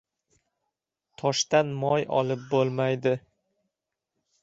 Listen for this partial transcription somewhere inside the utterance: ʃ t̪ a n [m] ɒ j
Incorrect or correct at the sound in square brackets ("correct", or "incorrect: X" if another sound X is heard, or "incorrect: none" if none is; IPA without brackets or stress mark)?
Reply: correct